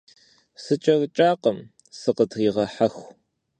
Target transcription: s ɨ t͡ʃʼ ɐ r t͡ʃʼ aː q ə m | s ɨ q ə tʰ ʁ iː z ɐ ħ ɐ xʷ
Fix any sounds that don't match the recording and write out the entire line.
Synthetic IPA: s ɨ t͡ʃʼ ɐ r t͡ʃʼ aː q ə m | s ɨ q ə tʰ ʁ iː ʁ ɐ ħ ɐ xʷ